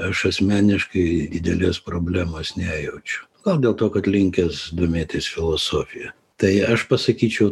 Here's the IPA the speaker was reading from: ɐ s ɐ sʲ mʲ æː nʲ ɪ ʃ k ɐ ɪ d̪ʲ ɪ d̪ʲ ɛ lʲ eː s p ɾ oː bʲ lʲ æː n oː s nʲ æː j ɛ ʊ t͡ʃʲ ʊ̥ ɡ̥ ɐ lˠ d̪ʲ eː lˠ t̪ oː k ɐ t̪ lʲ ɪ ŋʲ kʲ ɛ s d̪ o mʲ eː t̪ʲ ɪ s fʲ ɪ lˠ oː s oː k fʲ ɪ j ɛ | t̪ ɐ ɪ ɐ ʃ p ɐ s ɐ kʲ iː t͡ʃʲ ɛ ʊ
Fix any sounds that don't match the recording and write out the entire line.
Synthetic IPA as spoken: ɐ ʃ ɐ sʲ mʲ æː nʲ ɪ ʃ k ɐ ɪ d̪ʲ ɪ d̪ʲ ɛ lʲ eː s p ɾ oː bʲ lʲ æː m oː s nʲ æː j ɛ ʊ t͡ʃʲ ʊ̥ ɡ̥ ɐ lˠ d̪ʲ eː lˠ t̪ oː k ɐ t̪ lʲ ɪ ŋʲ kʲ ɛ s d̪ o mʲ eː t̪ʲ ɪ s fʲ ɪ lˠ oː s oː fʲ ɪ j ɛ | t̪ ɐ ɪ ɐ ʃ p ɐ s ɐ kʲ iː t͡ʃʲ ɛ ʊ